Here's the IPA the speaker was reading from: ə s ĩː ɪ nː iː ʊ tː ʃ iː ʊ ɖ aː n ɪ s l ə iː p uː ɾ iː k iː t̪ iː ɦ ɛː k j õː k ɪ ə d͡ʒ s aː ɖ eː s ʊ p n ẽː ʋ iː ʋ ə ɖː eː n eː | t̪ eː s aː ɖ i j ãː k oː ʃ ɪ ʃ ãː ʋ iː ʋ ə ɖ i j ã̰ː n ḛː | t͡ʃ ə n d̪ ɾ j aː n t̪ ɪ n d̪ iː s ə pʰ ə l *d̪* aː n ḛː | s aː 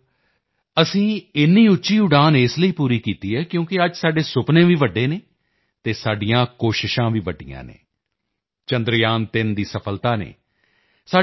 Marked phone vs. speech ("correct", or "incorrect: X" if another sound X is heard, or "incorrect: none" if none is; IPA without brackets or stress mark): incorrect: t̪